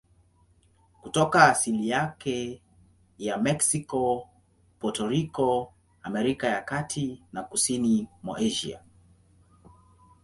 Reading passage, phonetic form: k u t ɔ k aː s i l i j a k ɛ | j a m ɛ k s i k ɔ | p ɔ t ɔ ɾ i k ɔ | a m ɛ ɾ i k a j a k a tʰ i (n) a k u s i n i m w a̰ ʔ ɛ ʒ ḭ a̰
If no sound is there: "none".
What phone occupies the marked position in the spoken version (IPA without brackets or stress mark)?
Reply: n